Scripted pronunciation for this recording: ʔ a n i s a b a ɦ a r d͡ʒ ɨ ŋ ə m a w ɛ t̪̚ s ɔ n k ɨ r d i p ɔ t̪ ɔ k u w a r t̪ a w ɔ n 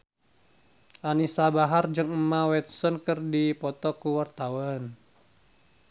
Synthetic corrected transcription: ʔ a n i s a b a ɦ a r d͡ʒ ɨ ŋ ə m a w ɛ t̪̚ s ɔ n k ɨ r d i p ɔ t̪ ɔ k u w a r t̪ a w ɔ n

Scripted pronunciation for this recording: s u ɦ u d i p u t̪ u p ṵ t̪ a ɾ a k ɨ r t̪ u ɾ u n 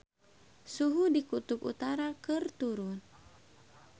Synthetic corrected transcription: s u ɦ u d i k u t̪ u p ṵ t̪ a ɾ a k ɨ r t̪ u ɾ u n

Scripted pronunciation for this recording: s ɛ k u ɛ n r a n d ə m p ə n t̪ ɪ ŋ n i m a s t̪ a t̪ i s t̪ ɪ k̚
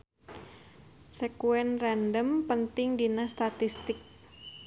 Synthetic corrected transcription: s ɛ k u ɛ n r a n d ə m p ə n t̪ ɪ ŋ d i n a s t̪ a t̪ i s t̪ ɪ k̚

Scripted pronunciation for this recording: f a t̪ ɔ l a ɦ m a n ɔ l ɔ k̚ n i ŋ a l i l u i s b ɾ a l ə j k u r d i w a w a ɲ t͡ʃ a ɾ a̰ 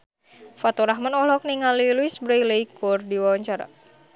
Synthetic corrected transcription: f a t̪ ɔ ɾ a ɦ m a n ɔ l ɔ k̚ n i ŋ a l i l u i s b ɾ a l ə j k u r d i w a w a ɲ t͡ʃ a ɾ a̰

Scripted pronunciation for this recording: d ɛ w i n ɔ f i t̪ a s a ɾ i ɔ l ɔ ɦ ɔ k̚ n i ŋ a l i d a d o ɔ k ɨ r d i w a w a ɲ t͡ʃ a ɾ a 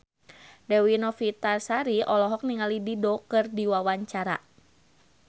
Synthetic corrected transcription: d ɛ w i n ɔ f i t̪ a s a ɾ i ɔ l ɔ ɦ ɔ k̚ n i ŋ a l i d i d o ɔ k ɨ r d i w a w a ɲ t͡ʃ a ɾ a

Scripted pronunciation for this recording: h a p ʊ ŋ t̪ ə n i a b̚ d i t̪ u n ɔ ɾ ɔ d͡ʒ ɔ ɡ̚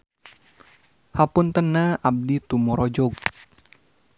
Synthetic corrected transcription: h a p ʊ n t̪ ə n a a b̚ d i t̪ u m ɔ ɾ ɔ d͡ʒ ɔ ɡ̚

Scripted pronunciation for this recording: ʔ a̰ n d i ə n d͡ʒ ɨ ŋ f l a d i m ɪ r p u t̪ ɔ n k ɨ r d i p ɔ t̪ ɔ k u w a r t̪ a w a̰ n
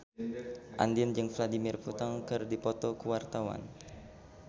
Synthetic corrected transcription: ʔ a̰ n d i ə n d͡ʒ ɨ ŋ f l a d i m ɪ r p u t̪ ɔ ŋ k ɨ r d i p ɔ t̪ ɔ k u w a r t̪ a w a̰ n

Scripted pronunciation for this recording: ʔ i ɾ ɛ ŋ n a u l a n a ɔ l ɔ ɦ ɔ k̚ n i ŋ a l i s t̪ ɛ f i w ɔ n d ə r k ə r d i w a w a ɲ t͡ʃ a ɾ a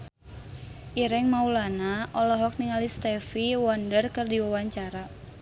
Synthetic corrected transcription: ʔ i ɾ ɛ ŋ m a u l a n a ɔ l ɔ ɦ ɔ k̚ n i ŋ a l i s t̪ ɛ f i w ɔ n d ə r k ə r d i w a w a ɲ t͡ʃ a ɾ a

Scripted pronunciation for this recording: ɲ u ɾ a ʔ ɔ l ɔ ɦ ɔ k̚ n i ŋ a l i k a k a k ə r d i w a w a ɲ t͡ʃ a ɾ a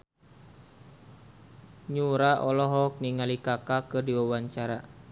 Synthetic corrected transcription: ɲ u ɾ a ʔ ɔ l ɔ ɦ ɔ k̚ n i ŋ a l i k a k a k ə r d i w a w a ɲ t͡ʃ a ɾ a

